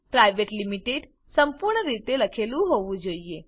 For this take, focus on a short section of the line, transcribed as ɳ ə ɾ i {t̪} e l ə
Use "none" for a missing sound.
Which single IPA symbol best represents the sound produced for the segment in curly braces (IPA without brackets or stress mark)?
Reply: t̪